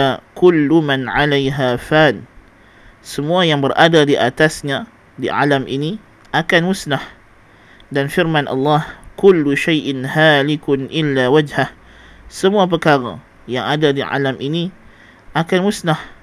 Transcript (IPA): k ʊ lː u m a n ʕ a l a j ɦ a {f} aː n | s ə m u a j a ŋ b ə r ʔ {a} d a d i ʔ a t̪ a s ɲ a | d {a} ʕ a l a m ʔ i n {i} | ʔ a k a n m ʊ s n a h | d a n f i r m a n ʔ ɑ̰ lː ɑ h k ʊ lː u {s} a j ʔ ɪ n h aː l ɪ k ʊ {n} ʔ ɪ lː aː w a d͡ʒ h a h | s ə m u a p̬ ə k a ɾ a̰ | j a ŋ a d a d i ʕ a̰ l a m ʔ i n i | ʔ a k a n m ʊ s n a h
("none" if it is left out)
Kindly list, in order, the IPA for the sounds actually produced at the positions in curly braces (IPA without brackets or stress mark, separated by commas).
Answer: f, a, i, i, ʃ, n